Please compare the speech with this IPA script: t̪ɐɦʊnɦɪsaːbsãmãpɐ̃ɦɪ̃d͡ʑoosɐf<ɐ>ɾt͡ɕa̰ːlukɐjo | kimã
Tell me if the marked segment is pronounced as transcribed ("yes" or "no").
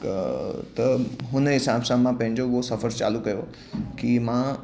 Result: no